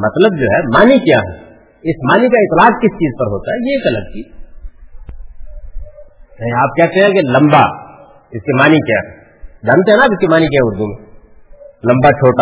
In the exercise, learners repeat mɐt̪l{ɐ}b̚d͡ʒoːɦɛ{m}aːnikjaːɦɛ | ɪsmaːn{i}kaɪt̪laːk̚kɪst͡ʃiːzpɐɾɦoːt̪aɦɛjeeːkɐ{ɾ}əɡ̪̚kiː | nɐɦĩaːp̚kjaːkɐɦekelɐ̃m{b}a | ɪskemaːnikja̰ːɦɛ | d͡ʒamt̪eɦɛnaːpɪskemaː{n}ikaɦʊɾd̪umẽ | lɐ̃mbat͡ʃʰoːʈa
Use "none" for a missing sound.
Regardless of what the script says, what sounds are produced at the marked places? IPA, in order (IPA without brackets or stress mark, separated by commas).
ə, m, i, l, b, n